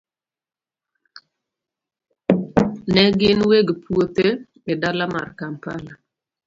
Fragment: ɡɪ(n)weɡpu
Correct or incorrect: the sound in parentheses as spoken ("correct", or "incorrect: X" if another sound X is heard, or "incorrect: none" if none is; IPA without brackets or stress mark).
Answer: correct